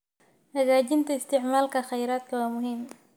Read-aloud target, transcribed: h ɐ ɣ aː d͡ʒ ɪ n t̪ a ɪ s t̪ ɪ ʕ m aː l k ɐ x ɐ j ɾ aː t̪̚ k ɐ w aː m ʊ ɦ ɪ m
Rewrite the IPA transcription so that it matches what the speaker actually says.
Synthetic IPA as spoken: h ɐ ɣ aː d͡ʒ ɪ n t̪ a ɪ s t̪ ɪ ʕ m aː l k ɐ x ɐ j ɾ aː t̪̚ k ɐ w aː m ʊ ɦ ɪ m

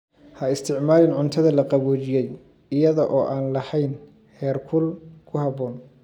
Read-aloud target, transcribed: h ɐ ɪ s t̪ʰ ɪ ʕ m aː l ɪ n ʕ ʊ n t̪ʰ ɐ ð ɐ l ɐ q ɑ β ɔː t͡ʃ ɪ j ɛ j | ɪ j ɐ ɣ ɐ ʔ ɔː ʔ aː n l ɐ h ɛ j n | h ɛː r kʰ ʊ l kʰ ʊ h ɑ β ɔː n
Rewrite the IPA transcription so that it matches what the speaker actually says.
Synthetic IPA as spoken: h ɐ ɪ s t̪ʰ ɪ ʕ m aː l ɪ n ʕ ʊ n t̪ʰ ɐ ð ɐ l ɐ q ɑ β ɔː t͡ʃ ɪ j ɛ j | ɪ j ɐ ð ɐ ʔ ɔː ʔ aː n l ɐ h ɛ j n | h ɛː r kʰ ʊ l kʰ ʊ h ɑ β ɔː n

